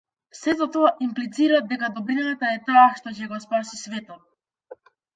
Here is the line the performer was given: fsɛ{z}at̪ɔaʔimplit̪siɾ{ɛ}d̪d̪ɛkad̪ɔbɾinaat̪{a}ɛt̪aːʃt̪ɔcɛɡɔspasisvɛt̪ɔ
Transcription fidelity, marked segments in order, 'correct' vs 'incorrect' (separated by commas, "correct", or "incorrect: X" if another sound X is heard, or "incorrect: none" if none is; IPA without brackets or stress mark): correct, incorrect: a, correct